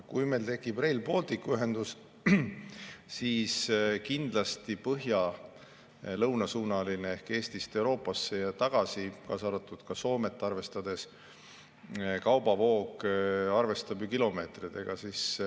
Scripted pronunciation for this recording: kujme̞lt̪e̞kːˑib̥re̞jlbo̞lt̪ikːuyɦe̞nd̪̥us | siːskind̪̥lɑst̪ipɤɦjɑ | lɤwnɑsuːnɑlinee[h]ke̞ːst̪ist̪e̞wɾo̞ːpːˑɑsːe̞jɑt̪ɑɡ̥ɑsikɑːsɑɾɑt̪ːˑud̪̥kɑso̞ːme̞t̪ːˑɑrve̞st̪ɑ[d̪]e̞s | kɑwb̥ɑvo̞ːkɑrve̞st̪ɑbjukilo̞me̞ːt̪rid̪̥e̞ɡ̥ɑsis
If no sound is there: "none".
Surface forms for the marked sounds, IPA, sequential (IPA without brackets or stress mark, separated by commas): h, d̪